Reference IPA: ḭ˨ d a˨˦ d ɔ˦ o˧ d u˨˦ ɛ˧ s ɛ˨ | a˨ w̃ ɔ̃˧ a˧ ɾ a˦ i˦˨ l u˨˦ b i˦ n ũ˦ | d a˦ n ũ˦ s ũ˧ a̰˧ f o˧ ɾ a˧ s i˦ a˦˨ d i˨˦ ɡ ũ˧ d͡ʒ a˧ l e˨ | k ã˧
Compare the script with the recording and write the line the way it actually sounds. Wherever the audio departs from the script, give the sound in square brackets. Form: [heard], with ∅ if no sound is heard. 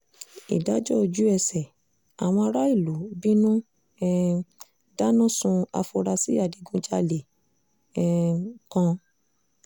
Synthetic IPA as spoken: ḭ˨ d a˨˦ [d͡ʒ] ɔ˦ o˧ [d͡ʒ] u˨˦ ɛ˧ s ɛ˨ | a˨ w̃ ɔ̃˧ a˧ ɾ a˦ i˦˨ l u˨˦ b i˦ n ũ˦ | d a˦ n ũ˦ s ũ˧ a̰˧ f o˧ ɾ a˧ s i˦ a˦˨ d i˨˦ ɡ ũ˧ d͡ʒ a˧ l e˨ | k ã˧